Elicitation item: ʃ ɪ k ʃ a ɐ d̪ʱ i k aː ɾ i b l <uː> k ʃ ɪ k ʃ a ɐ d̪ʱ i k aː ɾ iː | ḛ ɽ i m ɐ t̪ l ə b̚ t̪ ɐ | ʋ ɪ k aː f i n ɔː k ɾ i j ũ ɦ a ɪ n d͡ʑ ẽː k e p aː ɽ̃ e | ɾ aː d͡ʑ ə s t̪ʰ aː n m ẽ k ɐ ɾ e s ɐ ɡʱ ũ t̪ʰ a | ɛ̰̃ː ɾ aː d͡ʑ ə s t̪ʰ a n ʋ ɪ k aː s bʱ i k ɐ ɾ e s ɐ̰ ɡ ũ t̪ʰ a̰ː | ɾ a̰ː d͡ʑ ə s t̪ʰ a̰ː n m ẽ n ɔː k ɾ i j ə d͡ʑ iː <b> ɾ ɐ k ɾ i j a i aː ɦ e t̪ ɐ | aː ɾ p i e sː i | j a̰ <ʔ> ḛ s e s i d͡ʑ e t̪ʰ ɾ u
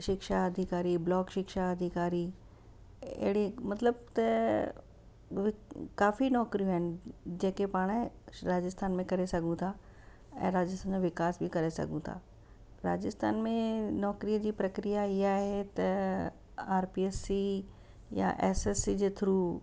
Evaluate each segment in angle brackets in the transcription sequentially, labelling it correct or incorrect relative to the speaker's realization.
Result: incorrect: ɔː, incorrect: p, correct

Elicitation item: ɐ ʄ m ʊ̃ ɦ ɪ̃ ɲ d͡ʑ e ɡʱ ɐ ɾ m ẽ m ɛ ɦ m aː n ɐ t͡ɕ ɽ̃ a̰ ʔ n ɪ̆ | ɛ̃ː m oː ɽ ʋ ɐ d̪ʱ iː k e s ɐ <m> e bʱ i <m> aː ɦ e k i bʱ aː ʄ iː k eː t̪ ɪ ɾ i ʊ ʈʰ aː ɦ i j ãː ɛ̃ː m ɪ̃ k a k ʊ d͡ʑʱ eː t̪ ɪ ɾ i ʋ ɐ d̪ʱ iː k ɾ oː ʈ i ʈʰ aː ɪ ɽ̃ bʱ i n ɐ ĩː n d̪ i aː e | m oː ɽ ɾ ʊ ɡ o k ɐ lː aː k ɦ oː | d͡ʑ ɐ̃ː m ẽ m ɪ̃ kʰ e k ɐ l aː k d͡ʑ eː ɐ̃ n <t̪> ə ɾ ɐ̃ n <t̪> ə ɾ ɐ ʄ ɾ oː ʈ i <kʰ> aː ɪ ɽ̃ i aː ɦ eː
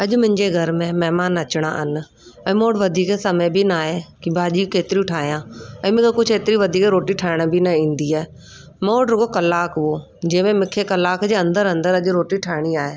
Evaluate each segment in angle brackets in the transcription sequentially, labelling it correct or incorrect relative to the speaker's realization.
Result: correct, incorrect: n, incorrect: d̪, incorrect: d̪, incorrect: ʈʰ

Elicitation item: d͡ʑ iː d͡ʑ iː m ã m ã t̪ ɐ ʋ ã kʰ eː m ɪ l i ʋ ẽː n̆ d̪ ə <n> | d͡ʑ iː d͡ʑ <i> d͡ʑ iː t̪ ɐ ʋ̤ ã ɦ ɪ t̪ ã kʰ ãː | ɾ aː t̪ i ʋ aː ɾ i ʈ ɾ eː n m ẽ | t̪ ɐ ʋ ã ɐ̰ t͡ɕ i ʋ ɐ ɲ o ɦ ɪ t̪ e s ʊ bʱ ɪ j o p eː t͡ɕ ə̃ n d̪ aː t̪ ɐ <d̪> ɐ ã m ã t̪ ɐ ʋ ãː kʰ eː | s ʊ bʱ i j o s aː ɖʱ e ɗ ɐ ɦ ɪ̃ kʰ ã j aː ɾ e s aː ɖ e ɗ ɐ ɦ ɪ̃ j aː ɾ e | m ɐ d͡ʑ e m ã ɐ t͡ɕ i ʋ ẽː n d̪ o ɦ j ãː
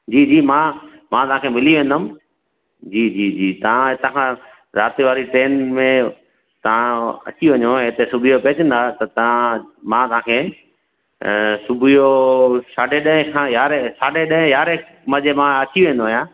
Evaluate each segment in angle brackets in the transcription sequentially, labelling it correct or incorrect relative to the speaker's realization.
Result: incorrect: m, incorrect: iː, incorrect: t̪

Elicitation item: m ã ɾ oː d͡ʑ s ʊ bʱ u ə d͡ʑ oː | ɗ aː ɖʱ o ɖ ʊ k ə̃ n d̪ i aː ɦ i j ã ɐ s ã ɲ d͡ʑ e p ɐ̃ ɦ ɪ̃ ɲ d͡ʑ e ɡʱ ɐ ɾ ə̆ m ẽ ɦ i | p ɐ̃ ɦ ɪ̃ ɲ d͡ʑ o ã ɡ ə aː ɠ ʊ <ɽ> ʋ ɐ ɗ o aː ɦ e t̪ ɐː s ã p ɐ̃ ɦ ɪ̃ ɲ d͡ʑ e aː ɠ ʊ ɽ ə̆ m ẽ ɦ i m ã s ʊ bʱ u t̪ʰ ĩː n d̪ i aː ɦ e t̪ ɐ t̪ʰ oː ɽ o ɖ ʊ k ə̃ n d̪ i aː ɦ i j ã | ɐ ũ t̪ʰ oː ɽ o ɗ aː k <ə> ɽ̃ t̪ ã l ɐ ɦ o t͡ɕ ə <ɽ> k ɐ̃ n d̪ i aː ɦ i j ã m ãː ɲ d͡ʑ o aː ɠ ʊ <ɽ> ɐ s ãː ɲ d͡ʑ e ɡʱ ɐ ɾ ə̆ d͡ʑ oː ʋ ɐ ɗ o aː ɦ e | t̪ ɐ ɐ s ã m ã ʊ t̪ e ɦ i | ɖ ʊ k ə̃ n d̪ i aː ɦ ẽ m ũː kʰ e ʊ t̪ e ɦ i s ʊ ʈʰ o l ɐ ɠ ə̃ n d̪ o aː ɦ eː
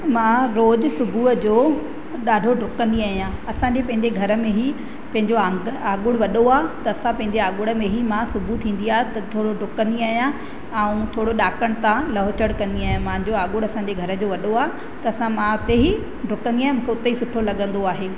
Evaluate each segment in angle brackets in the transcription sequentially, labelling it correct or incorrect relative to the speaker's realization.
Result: correct, correct, correct, correct

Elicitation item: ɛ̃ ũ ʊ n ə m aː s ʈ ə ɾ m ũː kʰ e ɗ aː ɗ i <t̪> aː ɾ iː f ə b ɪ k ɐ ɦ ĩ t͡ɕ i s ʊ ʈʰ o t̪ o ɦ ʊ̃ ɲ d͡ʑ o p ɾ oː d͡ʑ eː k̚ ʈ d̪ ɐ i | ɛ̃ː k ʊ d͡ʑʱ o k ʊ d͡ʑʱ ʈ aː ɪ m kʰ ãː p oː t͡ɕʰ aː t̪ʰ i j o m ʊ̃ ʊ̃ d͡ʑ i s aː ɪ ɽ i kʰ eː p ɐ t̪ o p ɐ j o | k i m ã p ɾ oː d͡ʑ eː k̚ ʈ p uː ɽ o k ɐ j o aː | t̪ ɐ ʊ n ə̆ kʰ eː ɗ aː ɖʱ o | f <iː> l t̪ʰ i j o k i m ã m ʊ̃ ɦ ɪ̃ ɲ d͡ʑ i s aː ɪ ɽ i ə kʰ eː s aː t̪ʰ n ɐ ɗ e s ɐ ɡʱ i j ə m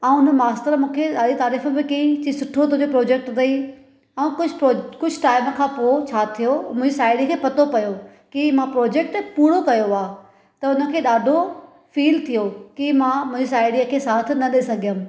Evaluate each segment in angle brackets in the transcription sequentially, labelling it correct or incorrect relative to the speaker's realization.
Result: correct, correct

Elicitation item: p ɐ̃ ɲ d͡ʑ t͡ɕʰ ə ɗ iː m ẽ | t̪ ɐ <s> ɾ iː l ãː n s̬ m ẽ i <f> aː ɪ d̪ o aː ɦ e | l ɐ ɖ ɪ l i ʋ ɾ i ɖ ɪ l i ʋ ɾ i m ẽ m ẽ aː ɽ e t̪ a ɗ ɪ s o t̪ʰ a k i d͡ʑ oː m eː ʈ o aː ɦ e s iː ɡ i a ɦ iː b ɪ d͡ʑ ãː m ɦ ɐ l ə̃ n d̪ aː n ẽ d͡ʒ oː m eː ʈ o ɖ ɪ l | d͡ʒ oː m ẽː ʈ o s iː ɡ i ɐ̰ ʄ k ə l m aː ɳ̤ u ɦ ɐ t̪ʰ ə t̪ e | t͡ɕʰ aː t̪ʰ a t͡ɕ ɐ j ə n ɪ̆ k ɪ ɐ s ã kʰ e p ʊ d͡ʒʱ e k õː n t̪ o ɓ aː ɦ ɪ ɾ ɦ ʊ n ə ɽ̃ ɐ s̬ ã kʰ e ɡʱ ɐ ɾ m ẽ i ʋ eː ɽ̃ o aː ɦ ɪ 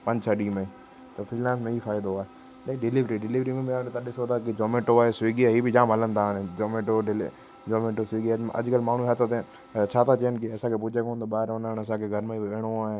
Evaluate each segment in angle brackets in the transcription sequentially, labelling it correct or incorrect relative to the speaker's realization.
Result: incorrect: f, correct

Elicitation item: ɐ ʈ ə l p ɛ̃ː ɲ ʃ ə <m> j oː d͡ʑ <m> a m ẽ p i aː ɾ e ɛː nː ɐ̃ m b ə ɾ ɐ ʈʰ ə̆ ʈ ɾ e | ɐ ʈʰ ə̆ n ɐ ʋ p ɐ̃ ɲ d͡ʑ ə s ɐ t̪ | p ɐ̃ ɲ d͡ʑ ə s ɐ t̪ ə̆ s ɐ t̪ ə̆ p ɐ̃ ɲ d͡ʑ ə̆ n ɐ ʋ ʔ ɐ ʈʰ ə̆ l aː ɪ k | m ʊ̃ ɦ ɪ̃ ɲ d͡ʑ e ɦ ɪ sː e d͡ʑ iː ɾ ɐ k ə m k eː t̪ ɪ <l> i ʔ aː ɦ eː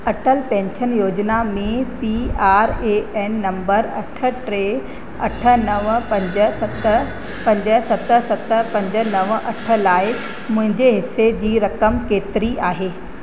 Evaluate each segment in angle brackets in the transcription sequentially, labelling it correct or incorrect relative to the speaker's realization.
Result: incorrect: n, incorrect: n, incorrect: ɾ

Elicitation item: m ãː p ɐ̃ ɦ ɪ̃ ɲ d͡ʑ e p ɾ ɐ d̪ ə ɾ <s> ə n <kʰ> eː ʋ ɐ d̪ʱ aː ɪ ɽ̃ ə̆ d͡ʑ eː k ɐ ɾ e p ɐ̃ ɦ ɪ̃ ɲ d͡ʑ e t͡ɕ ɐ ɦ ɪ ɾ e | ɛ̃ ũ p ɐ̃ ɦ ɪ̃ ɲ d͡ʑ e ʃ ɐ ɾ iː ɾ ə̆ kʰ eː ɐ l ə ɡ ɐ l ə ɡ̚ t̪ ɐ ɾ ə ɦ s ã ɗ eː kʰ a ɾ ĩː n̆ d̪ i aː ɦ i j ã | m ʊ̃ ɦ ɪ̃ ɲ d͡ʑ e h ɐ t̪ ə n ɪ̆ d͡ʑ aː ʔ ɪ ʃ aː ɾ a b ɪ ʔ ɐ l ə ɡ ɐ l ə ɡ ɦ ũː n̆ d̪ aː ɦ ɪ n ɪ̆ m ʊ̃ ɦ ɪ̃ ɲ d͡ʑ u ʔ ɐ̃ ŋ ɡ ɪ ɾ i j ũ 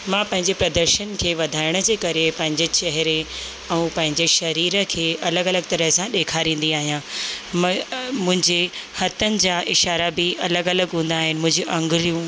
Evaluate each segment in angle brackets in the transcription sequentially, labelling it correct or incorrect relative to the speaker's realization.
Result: incorrect: ʃ, correct

